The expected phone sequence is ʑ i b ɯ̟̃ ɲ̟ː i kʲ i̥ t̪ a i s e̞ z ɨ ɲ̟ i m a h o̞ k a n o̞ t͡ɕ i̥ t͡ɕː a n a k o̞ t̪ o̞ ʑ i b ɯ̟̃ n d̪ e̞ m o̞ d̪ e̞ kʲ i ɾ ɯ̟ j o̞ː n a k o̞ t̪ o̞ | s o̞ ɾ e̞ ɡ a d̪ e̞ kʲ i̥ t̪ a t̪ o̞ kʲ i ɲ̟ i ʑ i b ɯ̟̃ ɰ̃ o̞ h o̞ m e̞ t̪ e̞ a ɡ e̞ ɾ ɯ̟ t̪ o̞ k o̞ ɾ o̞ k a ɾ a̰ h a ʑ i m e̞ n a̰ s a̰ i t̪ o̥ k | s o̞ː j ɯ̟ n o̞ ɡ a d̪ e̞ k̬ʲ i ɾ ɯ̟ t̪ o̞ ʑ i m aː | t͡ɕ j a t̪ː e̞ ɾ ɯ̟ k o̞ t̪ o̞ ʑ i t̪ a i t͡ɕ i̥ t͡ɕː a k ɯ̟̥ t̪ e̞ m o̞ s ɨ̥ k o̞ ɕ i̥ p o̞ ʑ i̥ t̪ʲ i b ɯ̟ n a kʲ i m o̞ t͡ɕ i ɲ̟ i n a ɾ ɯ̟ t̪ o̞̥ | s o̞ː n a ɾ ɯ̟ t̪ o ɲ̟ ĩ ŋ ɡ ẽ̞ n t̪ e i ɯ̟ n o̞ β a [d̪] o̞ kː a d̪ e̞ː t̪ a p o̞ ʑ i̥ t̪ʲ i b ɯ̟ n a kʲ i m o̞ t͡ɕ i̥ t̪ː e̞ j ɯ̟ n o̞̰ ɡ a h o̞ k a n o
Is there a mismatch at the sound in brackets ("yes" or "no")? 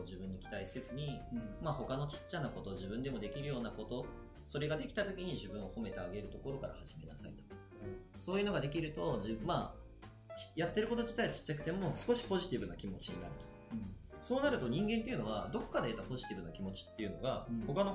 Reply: no